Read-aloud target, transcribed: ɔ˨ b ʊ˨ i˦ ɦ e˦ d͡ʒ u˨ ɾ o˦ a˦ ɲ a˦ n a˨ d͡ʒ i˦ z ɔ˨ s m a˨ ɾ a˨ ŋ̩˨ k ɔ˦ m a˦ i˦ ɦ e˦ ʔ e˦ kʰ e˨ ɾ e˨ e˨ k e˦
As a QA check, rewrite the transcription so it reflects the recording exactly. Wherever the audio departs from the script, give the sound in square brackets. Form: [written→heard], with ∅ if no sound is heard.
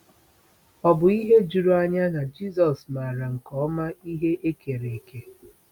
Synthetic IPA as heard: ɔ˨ b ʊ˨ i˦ ɦ e˦ d͡ʒ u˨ ɾ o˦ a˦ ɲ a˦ n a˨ d͡ʒ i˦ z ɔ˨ s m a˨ ɾ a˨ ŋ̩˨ k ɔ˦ m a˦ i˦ ɦ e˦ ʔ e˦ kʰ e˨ ɾ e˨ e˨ k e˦